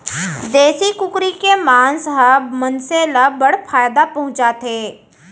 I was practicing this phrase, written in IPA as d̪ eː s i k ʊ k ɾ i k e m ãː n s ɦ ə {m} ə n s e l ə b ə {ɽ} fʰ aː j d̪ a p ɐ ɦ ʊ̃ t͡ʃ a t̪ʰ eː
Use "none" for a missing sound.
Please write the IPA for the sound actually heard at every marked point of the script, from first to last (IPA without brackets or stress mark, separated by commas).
m, ɽ